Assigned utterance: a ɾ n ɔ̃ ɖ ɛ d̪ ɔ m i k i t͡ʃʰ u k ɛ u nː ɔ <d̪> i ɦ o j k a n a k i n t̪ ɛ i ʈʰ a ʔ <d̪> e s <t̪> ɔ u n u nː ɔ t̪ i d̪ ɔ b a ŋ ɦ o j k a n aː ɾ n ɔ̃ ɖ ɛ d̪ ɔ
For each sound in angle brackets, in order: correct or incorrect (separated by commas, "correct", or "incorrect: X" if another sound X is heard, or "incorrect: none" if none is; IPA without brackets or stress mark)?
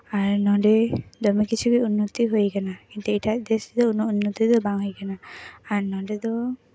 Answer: incorrect: t̪, correct, incorrect: d̪